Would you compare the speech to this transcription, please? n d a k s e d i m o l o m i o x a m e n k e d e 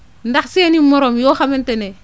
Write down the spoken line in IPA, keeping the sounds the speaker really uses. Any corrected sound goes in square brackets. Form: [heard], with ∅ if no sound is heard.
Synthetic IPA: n d a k s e [n] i m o [ɾ] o m [j] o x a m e n [t] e [n] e